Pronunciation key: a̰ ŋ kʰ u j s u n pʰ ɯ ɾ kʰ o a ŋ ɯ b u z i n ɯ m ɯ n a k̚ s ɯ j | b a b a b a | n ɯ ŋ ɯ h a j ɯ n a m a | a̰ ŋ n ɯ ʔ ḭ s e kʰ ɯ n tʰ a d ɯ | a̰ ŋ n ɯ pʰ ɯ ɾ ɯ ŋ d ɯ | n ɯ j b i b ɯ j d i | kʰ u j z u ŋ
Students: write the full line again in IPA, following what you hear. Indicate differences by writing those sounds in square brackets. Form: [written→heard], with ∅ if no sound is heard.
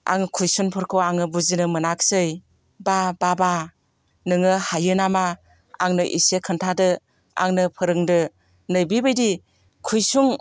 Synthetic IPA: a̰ ŋ kʰ u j s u n pʰ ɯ ɾ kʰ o a ŋ ɯ b u z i n ɯ m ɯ n a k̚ s ɯ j | b a b a b a | n ɯ ŋ ɯ h a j ɯ n a m a | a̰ ŋ n ɯ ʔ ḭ s e kʰ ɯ n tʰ a d ɯ | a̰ ŋ n ɯ pʰ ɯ ɾ ɯ ŋ d ɯ | n ɯ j b i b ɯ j d i | kʰ u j [z→s] u ŋ